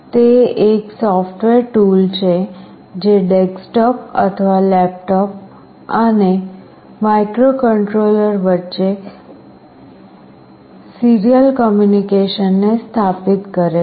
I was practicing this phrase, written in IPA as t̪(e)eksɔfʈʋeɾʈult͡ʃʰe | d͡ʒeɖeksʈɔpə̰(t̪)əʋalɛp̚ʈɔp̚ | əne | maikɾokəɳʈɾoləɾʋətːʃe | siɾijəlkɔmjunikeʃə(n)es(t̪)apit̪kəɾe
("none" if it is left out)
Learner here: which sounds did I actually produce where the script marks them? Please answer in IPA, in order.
e, t̪ʰ, nː, t̪ʰ

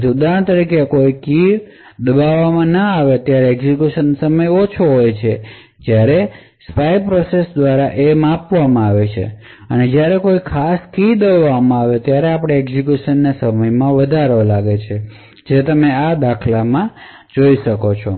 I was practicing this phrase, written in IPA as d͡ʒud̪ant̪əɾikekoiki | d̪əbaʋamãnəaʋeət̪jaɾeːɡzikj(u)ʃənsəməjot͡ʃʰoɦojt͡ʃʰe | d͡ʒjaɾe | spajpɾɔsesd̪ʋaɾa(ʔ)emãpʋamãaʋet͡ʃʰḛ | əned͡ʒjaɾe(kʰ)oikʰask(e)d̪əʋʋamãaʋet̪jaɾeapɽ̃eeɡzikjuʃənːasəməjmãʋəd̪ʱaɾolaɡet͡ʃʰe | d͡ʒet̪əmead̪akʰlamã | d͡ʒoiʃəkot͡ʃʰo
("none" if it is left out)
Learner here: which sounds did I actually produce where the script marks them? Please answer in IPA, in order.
u, ʔ, k, i

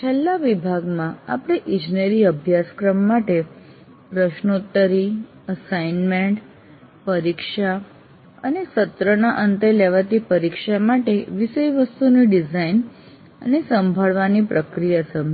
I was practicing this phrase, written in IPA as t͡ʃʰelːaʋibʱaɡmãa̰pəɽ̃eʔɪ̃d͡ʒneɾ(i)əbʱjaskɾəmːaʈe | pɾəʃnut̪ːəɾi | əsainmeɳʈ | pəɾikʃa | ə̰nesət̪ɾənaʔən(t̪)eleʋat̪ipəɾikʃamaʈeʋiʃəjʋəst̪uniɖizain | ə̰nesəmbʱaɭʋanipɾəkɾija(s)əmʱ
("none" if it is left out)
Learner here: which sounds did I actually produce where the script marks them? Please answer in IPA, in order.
i, t̪, s

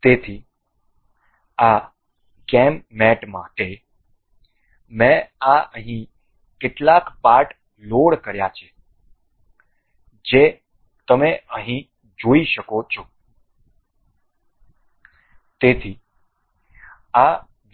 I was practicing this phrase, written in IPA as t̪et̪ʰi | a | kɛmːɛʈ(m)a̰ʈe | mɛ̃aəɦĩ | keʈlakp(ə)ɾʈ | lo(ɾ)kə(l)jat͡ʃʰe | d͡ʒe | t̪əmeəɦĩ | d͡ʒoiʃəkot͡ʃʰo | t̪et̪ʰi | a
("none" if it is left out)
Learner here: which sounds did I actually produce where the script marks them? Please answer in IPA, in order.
m, a, ɽ, ɾ

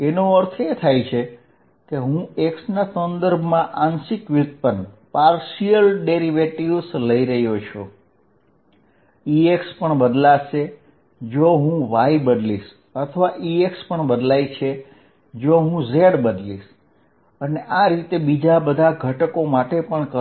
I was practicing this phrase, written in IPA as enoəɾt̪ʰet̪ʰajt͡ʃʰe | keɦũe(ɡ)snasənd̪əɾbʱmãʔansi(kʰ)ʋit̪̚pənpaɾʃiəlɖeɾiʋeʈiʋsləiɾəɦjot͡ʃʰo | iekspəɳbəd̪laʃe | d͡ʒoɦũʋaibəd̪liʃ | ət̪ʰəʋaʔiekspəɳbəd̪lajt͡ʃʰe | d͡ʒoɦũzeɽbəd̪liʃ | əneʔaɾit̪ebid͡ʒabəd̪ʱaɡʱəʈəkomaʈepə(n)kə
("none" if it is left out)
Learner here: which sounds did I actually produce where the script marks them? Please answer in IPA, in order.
k, k, ɳ

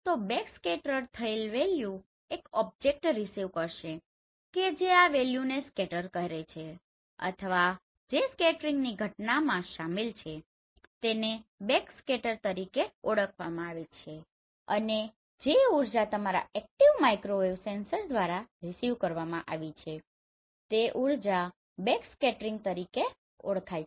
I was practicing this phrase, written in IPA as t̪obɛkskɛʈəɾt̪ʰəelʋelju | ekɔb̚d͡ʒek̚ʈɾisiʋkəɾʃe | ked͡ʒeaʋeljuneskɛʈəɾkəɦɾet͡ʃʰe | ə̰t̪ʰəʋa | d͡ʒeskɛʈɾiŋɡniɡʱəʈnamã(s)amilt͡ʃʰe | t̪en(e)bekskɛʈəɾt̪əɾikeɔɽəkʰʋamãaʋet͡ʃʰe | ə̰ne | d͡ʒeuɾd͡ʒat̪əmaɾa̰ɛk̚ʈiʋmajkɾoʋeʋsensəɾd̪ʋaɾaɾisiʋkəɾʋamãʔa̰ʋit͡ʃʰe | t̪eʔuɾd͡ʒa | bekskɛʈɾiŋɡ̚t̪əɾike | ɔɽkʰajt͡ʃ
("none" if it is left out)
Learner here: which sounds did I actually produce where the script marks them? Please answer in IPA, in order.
ʃ, e

